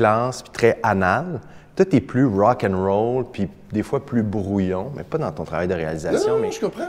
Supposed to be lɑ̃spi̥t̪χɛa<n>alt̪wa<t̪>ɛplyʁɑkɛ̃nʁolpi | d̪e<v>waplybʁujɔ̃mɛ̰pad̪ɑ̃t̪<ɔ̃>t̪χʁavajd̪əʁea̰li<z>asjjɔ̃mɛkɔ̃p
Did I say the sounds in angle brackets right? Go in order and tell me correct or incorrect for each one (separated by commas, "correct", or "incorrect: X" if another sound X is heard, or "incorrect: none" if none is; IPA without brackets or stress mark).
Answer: correct, correct, incorrect: f, correct, correct